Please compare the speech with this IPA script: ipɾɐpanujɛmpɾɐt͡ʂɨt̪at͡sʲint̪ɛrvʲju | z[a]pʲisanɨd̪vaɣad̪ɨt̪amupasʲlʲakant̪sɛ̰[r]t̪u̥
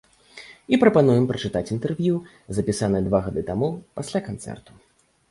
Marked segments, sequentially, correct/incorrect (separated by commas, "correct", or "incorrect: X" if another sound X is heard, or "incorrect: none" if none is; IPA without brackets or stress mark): incorrect: ɐ, correct